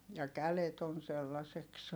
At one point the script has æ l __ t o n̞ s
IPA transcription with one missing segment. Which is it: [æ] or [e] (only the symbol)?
e